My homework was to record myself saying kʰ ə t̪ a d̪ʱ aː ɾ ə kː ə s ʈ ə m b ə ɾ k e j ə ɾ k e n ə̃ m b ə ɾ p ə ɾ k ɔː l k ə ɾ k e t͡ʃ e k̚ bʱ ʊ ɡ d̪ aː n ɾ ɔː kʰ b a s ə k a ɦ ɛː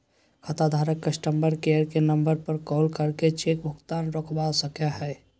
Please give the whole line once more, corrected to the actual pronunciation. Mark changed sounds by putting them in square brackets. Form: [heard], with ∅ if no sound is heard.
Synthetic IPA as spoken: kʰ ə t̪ a d̪ʱ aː ɾ ə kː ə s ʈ ə m b ə ɾ k e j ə ɾ k e n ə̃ m b ə ɾ p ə ɾ k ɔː l k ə ɾ k e t͡ʃ e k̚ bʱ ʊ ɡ [t̪] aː n ɾ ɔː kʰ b a s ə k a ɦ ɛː